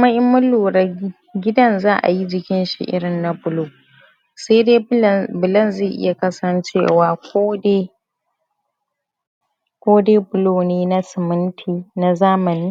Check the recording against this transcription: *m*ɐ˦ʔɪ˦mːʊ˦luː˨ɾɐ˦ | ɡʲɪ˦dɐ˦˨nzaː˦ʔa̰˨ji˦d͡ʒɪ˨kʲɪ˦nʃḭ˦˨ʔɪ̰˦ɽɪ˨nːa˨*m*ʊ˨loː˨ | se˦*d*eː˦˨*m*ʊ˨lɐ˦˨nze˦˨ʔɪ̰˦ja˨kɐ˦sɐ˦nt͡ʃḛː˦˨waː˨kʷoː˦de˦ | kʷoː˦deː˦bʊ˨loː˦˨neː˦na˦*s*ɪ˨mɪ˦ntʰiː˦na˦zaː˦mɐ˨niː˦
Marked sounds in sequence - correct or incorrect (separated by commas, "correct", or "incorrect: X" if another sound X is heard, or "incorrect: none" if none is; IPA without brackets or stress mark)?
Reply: correct, incorrect: b, correct, incorrect: b, correct